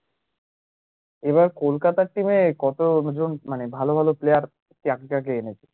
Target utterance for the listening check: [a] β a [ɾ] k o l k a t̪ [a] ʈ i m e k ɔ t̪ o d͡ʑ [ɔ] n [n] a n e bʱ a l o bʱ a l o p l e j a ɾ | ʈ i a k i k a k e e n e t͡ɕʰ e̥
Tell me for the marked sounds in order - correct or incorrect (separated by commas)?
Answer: incorrect, correct, correct, incorrect, incorrect